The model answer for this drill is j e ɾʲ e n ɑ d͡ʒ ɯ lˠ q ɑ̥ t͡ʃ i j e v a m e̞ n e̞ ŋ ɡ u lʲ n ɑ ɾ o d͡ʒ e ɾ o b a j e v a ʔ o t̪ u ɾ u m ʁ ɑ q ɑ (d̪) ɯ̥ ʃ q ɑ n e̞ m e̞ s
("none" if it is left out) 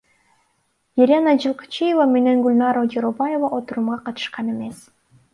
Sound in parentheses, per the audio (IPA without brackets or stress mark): t̪